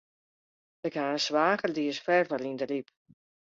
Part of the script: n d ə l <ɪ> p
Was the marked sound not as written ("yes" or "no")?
yes